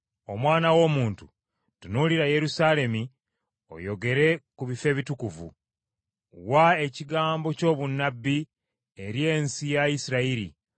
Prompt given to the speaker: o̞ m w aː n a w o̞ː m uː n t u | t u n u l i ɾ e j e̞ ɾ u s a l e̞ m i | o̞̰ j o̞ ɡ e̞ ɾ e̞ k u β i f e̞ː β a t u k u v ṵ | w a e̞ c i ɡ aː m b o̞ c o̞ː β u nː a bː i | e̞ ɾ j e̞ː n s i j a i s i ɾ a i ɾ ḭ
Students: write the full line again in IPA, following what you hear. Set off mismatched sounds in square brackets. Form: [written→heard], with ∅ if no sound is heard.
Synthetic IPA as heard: o̞ m w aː n a w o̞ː m uː n t u | t u n u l i ɾ [e→a] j e̞ ɾ u s a l e̞ m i | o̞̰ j o̞ ɡ e̞ ɾ e̞ k u β i f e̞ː β [a→i] t u k u v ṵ | w a e̞ c i ɡ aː m b o̞ c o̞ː β u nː a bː i | e̞ ɾ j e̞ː n s i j a i s i ɾ a i ɾ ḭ